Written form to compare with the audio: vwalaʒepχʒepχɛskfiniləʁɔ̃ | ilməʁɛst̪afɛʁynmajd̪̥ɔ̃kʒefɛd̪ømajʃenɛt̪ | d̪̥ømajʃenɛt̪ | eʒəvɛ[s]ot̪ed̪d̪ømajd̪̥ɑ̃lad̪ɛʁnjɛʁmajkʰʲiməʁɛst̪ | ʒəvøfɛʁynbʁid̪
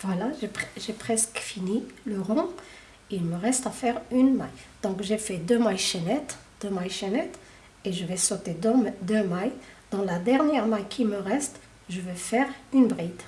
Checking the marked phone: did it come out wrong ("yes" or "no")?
no